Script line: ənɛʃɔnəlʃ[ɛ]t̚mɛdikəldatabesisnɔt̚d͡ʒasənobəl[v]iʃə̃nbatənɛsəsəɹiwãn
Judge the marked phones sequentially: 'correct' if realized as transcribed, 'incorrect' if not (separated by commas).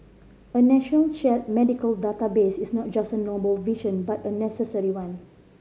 correct, correct